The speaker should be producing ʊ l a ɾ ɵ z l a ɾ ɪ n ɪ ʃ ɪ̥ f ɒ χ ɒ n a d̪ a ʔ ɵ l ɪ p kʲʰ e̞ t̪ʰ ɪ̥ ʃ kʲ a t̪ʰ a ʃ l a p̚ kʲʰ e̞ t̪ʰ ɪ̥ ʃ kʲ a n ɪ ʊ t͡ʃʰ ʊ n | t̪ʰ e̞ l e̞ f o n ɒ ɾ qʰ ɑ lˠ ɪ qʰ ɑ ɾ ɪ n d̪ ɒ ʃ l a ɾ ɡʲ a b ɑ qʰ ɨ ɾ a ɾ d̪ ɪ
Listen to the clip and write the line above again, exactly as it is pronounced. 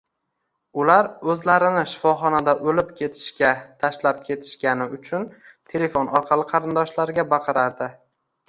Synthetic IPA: ʊ l a ɾ ɵ z l a ɾ ɪ n ɪ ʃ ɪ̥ f ɒ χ ɒ n a d̪ a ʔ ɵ l ɪ p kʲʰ e̞ t̪ʰ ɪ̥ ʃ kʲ a t̪ʰ a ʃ l a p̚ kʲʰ e̞ t̪ʰ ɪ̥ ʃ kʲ a n ɪ ʊ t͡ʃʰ ʊ n | t̪ʰ e̞ l e̞ f o n ɒ ɾ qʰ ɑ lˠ ɪ qʰ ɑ ɾ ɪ n d̪ ɒ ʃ l a ɾ ɡʲ a b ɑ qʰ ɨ ɾ a ɾ d̪ ɪ